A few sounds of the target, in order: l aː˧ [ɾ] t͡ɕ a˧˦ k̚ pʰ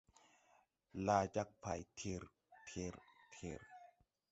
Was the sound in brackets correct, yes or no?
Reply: no